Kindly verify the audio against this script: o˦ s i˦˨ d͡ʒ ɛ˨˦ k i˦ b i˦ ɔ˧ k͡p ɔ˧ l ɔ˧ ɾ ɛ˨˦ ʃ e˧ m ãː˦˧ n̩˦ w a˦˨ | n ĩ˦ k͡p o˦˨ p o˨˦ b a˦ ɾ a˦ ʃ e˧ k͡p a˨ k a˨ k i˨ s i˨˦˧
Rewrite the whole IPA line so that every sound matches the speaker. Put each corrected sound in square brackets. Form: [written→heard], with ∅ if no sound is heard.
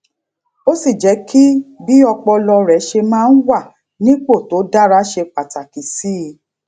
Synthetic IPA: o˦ s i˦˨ d͡ʒ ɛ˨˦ k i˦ b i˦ ɔ˧ k͡p ɔ˧ l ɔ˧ ɾ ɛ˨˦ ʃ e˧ m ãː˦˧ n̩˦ w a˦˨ | n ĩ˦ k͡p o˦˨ [p→t] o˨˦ [b→d] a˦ ɾ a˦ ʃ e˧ k͡p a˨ [k→t] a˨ k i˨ s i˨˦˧